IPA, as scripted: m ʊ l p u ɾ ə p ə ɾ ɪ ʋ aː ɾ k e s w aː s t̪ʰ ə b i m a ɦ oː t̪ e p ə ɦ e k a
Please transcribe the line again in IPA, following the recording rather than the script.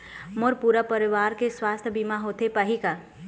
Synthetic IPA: m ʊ ɾ p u ɾ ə p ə ɾ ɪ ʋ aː ɾ k e s w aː s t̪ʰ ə b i m a ɦ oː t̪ e p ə ɦ i k a

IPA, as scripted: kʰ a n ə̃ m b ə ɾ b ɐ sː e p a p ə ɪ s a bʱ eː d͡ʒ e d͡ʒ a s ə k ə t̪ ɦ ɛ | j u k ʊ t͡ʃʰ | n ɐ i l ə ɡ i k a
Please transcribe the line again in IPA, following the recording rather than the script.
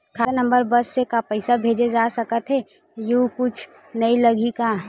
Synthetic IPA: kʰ a n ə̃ m b ə ɾ b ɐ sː e k a p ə ɪ s a bʱ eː d͡ʒ e d͡ʒ a s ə k ə t̪ ɦ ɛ | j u k ʊ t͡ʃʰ | n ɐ i l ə ɡ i k a

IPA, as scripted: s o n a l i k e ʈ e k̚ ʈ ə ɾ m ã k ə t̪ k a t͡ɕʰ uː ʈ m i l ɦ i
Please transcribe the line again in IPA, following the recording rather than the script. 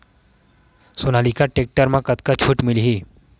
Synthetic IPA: s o n a l i k a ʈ e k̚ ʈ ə ɾ m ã k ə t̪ k a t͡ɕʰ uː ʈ m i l ɦ i

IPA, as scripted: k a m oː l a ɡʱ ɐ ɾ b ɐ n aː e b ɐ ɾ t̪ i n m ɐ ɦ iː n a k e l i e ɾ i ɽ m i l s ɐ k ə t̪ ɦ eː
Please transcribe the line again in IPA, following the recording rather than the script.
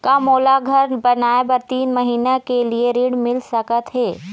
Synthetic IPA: k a m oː l a ɡʱ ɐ ɾ b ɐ n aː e b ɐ ɾ t̪ iː n m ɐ ɦ iː n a k e l i e ɾ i ɽ m ɪ l s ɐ k ə t̪ ɦ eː

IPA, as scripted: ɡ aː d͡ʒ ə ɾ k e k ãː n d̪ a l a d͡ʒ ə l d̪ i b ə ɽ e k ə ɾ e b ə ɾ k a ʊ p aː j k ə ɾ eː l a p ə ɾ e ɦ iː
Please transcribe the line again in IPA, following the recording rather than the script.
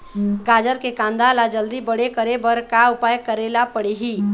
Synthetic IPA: ɡ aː d͡ʒ ə ɾ k e k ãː n d̪ a l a d͡ʒ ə l d̪ i b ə ɽ e k ə ɾ e b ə ɾ k a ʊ p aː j k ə ɾ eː l a p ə ɽ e ɦ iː

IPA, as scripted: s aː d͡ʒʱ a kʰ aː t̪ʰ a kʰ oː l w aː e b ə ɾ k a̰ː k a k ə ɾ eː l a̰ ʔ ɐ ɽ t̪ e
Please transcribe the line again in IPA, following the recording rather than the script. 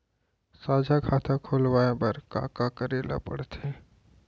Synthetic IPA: s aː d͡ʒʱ a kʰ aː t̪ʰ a kʰ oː l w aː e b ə ɾ k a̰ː k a k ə ɾ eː l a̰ p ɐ ɽ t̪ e

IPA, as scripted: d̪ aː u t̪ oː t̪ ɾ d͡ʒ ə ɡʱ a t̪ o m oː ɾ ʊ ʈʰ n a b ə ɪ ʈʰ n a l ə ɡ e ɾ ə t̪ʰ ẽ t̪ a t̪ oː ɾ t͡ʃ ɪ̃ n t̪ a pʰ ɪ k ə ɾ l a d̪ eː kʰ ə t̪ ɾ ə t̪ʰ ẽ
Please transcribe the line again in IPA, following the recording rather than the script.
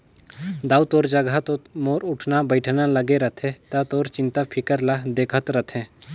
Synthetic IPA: d̪ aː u t̪ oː ɾ d͡ʒ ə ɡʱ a t̪ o m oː ɾ ʊ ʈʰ n a b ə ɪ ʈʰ n a l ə ɡ e ɾ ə t̪ʰ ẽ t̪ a t̪ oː ɾ t͡ʃ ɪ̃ n t̪ a pʰ ɪ k ə ɾ l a d̪ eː kʰ ə t̪ ɾ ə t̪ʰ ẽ

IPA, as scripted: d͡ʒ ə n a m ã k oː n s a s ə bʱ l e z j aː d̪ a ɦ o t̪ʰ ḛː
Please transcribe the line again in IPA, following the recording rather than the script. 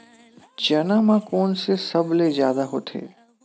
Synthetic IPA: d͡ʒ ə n a m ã k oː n s e s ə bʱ l e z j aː d̪ a ɦ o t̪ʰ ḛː

